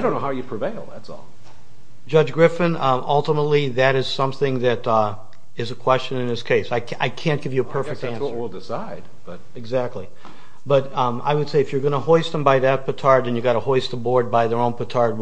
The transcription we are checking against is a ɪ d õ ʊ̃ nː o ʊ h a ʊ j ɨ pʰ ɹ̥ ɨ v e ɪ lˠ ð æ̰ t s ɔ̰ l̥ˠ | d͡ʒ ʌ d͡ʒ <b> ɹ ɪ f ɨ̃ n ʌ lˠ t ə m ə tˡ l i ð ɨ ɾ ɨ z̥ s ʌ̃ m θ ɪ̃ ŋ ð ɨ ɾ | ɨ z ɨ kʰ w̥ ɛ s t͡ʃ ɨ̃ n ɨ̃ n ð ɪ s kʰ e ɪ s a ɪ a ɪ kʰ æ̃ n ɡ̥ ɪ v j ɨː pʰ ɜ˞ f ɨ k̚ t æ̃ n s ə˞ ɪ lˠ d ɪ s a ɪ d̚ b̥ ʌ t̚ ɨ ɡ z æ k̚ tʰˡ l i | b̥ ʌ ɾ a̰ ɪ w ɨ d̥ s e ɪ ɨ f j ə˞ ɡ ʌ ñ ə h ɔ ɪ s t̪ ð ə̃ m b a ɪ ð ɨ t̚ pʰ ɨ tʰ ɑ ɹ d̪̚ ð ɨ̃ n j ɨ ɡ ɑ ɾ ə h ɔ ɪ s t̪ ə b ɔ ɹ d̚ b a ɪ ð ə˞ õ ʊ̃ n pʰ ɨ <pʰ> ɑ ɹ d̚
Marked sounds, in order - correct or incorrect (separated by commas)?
incorrect, incorrect